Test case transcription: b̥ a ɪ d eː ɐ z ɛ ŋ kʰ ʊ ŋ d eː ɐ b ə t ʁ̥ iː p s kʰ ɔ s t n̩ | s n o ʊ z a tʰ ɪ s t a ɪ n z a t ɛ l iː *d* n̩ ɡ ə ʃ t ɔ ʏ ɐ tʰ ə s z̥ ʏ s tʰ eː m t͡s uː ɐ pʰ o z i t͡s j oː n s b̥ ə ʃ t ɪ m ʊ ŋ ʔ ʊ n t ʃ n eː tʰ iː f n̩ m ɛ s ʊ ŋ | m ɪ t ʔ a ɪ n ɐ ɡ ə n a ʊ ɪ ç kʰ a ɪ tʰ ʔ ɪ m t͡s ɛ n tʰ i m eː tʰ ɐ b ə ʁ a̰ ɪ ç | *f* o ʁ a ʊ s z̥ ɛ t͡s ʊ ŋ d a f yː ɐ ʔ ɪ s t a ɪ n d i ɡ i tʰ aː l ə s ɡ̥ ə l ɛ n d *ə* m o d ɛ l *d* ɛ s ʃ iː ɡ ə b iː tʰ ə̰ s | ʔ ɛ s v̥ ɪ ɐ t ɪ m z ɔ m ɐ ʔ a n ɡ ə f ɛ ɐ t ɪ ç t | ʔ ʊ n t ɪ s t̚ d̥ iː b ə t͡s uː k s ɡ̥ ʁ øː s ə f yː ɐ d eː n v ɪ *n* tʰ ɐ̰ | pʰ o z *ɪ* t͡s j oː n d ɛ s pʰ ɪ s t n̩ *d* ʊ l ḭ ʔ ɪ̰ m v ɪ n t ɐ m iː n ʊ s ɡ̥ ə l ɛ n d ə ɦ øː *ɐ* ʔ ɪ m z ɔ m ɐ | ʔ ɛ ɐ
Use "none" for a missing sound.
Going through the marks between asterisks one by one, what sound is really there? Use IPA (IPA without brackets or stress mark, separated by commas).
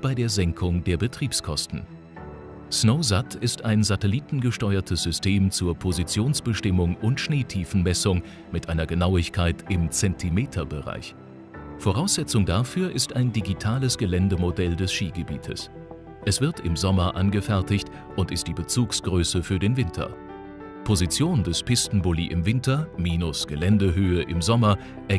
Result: t, f, ə, d, n, i, b, ə